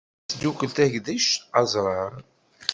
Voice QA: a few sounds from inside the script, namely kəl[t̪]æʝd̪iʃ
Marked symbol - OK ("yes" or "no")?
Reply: yes